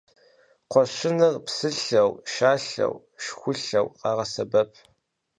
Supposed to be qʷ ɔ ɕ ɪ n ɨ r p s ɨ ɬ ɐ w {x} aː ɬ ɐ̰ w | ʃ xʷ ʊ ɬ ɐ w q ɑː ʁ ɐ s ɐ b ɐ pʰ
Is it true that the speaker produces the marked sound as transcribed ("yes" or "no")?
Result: no